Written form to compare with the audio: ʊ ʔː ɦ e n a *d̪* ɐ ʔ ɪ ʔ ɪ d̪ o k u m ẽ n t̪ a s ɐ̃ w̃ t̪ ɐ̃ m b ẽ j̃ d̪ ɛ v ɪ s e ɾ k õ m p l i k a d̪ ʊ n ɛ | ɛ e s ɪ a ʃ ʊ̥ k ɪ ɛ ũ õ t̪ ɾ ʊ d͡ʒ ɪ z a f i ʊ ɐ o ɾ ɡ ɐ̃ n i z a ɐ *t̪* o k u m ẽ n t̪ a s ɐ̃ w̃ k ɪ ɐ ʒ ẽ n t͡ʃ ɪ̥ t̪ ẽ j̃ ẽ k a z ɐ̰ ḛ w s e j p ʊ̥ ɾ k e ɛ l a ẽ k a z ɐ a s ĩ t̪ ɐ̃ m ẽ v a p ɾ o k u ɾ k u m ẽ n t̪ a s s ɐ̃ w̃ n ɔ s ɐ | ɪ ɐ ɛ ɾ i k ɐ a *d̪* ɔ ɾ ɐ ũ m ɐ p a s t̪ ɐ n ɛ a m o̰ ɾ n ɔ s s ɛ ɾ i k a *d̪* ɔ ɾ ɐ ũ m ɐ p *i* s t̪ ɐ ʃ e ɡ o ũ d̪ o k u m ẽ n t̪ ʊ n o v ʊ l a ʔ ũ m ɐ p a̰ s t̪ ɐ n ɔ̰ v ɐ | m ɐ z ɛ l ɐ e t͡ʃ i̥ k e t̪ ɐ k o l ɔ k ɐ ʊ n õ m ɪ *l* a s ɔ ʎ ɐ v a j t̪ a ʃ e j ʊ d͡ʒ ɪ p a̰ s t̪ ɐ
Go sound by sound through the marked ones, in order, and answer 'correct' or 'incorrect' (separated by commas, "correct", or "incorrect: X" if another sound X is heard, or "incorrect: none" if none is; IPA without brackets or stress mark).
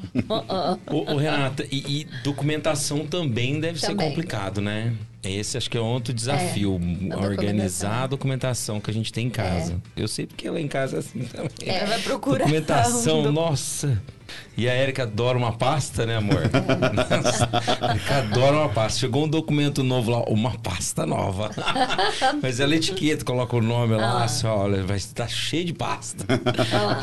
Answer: incorrect: t̪, incorrect: d̪, correct, correct, incorrect: a, correct